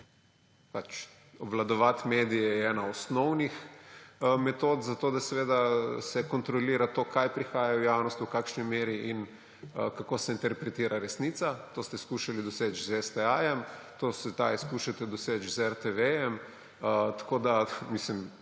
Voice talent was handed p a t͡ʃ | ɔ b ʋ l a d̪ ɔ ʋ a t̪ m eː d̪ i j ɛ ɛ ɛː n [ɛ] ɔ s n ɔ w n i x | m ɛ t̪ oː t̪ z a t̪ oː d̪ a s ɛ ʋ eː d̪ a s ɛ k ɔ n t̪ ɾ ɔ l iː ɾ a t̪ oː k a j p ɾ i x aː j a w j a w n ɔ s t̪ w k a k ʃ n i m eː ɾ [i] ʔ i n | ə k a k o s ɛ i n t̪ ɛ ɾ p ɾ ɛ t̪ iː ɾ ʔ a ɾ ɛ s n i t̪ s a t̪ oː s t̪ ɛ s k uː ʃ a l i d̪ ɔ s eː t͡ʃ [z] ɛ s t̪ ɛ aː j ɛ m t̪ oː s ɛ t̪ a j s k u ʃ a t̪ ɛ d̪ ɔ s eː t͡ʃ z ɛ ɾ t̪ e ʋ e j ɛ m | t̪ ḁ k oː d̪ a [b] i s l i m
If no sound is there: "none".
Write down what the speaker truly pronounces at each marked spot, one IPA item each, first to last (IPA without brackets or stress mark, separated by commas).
a, i, z, m